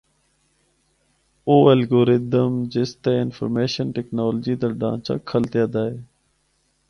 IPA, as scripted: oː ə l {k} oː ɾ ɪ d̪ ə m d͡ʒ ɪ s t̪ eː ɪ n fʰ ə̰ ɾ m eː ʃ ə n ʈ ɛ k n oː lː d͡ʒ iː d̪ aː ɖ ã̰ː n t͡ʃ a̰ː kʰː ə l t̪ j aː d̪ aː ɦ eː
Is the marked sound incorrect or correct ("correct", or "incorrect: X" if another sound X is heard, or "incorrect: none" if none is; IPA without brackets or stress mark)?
incorrect: ɡ